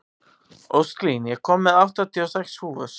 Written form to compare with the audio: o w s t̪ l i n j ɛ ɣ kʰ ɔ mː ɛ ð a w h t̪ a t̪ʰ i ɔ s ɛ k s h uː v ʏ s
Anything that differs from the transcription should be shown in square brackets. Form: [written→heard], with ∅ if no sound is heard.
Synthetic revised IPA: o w s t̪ l i n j ɛ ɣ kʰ ɔ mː ɛ ð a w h t̪ a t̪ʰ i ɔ s ɛ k s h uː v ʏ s